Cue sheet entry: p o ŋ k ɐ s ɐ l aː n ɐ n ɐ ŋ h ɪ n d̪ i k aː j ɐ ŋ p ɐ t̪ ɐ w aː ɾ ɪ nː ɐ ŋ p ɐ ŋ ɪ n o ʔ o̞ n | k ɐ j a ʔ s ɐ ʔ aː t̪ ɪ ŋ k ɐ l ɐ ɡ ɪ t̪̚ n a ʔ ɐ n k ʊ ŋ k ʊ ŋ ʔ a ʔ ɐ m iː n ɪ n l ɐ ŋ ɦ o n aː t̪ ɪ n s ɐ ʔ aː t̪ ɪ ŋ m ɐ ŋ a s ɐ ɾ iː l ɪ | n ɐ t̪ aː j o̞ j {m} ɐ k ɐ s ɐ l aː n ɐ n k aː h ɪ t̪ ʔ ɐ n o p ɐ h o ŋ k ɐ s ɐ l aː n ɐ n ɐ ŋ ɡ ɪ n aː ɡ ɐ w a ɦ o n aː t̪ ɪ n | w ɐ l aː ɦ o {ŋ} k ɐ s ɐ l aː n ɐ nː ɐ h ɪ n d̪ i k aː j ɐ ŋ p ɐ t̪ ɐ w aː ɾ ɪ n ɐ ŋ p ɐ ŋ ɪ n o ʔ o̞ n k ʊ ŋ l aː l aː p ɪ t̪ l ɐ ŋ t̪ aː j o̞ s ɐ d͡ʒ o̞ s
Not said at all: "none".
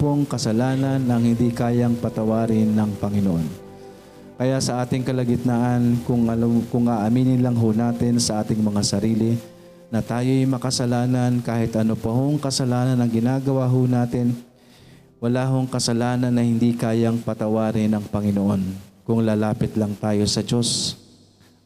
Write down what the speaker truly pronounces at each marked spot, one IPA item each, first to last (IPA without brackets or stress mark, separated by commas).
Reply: m, ŋ